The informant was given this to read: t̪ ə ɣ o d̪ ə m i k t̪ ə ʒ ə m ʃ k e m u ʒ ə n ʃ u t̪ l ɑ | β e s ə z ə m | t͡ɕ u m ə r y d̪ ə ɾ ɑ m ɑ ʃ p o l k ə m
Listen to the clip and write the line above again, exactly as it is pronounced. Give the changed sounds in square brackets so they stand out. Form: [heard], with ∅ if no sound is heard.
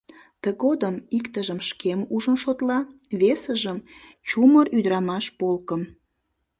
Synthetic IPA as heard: t̪ ə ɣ o d̪ ə m i k t̪ ə ʒ ə m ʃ k e m u ʒ ə n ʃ [o] t̪ l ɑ | β e s ə [ʒ] ə m | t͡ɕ u m ə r y d̪ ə ɾ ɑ m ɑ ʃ p o l k ə m